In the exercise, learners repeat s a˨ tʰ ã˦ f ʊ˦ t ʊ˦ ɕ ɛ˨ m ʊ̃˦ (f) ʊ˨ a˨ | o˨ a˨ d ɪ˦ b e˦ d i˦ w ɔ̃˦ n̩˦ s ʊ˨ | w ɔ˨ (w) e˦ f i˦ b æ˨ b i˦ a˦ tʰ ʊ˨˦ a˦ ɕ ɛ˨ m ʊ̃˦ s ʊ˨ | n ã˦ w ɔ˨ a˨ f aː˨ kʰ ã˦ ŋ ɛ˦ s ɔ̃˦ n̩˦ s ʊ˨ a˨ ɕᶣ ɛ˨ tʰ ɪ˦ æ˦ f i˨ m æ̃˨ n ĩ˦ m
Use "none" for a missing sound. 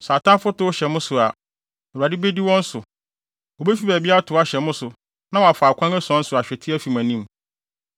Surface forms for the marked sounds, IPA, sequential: s, b

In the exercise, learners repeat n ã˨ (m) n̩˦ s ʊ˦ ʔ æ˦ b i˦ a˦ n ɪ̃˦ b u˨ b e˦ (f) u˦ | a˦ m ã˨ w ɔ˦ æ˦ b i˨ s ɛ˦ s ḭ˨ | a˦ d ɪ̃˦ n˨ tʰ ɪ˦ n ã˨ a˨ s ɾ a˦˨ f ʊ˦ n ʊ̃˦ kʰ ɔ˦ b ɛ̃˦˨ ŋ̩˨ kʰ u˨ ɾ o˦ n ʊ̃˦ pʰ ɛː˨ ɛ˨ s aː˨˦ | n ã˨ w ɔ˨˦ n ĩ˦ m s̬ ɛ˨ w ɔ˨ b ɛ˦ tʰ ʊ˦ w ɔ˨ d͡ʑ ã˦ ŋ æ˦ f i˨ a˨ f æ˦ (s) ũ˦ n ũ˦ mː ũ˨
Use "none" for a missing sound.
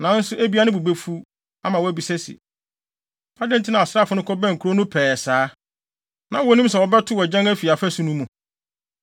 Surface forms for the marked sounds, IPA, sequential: none, f, s

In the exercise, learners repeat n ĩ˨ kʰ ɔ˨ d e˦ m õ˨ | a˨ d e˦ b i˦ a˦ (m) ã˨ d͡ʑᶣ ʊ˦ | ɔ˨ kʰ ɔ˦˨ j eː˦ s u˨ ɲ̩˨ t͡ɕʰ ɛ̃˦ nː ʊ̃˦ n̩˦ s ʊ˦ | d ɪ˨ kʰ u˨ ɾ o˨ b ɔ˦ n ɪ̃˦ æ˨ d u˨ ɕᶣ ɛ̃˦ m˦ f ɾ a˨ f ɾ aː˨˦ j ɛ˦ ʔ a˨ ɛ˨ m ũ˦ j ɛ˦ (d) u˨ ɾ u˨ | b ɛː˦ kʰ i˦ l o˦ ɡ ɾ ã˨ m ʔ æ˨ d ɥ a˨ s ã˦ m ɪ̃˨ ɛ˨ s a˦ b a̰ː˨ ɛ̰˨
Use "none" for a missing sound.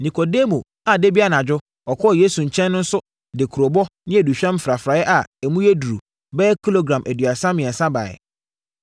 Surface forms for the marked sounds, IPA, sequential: n, d

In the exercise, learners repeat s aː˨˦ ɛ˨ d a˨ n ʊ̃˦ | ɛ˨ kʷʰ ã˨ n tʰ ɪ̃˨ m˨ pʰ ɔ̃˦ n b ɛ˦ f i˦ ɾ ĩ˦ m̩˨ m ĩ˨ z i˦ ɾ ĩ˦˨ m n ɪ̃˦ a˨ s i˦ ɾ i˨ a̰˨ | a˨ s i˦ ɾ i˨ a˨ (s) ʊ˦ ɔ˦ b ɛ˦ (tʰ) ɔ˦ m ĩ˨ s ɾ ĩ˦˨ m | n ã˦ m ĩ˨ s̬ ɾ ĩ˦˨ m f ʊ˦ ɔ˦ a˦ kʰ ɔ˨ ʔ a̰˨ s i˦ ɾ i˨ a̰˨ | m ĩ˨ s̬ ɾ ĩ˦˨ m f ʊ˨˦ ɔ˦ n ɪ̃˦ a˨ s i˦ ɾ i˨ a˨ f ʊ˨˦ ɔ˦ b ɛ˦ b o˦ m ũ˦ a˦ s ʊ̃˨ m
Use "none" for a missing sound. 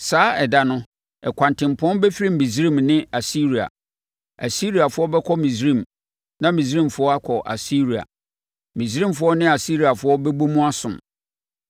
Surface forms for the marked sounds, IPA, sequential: f, kʰ

